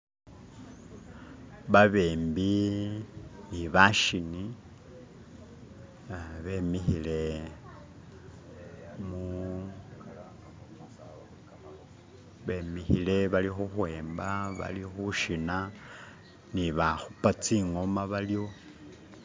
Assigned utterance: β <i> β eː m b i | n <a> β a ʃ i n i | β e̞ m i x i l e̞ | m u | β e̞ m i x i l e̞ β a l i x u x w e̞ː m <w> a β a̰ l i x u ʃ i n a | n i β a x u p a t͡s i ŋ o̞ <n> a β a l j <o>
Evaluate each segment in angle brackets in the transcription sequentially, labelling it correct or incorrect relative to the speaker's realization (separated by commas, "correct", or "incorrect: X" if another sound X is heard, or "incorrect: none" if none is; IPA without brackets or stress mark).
incorrect: a, incorrect: i, incorrect: b, incorrect: m, correct